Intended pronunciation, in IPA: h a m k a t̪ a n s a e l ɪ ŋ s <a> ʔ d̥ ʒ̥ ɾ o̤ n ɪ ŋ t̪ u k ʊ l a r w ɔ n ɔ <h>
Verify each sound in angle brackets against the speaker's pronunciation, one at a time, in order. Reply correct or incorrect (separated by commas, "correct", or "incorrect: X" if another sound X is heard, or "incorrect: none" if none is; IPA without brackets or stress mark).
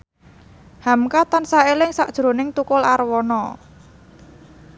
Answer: correct, incorrect: none